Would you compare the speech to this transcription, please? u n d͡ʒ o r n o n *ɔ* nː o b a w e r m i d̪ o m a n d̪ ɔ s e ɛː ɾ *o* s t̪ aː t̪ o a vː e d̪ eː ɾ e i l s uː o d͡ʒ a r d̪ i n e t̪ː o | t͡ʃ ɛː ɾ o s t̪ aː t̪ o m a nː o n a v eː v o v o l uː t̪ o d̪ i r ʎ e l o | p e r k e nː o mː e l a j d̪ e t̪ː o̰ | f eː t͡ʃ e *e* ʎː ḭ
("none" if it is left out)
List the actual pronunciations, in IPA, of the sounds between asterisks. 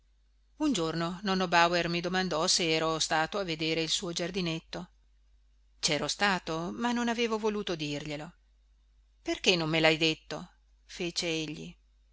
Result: ɔ, o, e

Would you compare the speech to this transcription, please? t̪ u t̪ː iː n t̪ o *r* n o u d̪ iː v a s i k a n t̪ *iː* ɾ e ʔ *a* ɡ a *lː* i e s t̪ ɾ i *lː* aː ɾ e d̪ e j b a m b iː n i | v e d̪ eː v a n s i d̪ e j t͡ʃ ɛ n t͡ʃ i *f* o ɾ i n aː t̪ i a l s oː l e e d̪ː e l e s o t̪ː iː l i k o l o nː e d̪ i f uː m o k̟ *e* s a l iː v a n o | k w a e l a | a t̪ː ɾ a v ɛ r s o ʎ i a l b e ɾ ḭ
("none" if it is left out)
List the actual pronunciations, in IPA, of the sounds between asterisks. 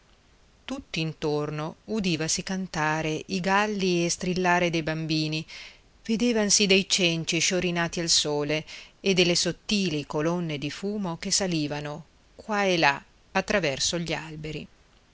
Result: r, aː, i, lː, lː, ʃ, e

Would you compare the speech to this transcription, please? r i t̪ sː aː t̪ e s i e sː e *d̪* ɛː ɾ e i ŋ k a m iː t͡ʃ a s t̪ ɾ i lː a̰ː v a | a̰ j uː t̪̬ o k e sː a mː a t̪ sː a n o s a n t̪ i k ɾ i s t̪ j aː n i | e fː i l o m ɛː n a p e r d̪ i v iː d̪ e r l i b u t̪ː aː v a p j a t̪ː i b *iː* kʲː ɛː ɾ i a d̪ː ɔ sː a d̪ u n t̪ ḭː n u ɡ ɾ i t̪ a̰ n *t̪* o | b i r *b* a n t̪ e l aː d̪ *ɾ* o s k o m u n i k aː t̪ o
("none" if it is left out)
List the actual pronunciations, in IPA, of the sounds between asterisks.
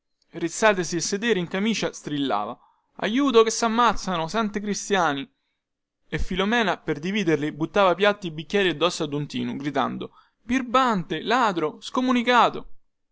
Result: d̪, i, d̪, b, ɾ

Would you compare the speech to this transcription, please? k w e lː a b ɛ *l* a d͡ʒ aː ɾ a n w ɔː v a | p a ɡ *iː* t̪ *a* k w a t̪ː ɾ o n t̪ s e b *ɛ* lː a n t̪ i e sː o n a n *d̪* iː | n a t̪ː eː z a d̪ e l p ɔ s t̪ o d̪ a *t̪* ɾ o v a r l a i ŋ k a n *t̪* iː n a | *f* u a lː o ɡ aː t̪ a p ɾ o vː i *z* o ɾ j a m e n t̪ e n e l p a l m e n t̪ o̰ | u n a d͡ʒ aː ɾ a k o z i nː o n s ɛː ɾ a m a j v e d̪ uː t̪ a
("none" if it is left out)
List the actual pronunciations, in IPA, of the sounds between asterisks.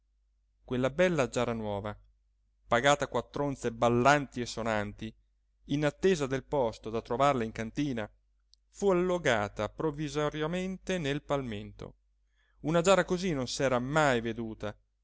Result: lː, aː, a, a, t̪, t̪, t̪, f, z

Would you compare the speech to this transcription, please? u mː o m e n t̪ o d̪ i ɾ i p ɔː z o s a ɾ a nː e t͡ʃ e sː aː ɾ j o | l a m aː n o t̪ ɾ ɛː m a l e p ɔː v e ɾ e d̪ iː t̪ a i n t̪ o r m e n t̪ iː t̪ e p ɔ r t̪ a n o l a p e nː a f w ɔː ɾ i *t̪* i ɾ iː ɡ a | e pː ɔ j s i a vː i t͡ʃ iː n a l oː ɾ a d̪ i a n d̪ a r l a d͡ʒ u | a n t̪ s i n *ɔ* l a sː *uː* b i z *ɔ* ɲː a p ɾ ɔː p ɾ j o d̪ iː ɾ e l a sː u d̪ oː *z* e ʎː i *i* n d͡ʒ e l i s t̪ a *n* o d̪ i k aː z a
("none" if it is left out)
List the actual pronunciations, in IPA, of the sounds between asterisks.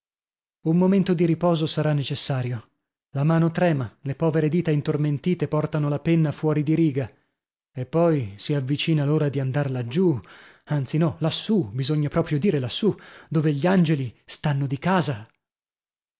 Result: d̪, ɔ, u, o, v, a, nː

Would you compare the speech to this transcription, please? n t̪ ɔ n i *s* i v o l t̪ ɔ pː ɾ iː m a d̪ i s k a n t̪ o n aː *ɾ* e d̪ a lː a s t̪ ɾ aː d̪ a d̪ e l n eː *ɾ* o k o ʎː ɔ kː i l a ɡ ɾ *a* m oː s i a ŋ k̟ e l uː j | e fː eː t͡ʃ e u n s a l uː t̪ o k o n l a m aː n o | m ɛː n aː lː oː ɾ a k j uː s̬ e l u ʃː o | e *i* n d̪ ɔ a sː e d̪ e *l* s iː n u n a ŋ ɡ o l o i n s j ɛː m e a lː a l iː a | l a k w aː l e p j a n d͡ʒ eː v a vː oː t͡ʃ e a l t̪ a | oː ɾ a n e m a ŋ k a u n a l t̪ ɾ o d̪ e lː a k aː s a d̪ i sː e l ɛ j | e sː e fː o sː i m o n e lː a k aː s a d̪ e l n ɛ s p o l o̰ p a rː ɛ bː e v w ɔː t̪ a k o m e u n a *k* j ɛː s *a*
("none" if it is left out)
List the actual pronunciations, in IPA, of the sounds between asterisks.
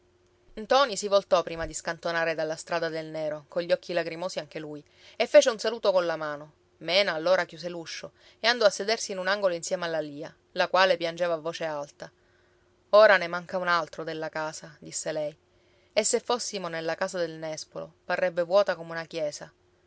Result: s, ɾ, ɾ, i, a, r, k, a

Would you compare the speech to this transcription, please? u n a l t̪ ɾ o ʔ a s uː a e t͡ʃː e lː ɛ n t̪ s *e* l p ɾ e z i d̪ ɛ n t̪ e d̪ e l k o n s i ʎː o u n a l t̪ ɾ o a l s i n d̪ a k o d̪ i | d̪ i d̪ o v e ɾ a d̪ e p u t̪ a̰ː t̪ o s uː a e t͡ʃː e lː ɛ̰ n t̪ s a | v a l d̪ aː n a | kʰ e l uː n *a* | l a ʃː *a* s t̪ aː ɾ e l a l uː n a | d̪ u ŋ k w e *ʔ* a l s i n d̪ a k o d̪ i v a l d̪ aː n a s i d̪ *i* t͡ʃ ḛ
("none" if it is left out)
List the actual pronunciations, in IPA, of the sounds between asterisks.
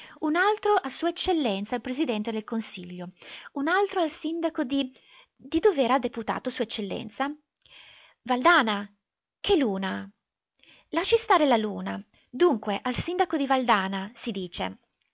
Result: a, a, i, ʔ, iː

